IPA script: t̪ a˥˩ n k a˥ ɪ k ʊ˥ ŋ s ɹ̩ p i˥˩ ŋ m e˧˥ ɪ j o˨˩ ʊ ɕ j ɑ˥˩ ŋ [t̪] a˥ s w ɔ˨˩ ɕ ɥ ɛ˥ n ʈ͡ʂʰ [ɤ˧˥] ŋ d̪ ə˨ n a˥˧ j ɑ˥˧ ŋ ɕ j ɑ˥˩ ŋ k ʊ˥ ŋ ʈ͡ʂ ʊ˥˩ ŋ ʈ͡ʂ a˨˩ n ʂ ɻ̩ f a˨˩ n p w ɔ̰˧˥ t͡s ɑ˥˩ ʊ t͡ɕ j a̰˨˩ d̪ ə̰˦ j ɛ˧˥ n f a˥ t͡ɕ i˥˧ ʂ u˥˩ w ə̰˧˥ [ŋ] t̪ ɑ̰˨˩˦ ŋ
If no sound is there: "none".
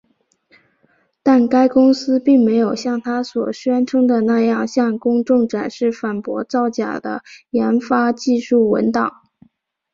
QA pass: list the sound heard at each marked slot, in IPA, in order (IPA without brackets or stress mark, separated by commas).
t̪ʰ, ɤ˥, n